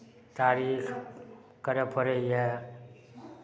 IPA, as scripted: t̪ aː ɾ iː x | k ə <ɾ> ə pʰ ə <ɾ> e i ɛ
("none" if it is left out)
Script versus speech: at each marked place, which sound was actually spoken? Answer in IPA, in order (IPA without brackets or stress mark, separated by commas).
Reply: ɾ, ɾ